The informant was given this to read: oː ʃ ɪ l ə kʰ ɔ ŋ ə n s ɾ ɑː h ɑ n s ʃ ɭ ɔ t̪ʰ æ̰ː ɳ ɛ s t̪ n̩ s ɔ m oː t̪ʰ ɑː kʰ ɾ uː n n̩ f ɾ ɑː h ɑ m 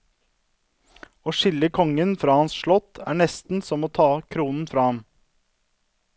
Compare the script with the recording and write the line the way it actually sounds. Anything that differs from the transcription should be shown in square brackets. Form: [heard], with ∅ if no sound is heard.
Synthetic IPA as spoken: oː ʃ ɪ l ə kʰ ɔ ŋ ə n [f] ɾ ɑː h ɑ n s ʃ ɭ ɔ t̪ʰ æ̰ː ɳ ɛ s t̪ n̩ s ɔ m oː t̪ʰ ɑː kʰ ɾ uː n n̩ f ɾ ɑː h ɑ m